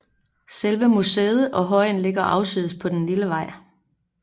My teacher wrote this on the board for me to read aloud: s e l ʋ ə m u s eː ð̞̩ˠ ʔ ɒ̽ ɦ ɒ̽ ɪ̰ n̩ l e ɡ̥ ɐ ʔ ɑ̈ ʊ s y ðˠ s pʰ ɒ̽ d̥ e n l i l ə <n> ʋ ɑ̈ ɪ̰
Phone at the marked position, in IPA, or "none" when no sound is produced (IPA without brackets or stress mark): none